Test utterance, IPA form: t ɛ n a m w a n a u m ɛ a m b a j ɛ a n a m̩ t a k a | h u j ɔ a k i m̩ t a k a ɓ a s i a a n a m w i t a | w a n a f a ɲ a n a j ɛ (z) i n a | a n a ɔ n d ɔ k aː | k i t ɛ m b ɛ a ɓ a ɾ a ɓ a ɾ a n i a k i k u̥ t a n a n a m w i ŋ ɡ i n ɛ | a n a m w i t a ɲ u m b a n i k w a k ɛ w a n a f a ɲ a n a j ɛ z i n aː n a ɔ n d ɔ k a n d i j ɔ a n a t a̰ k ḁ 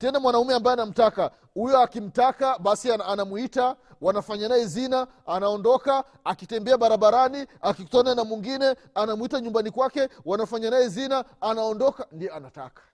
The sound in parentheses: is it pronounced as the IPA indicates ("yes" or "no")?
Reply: yes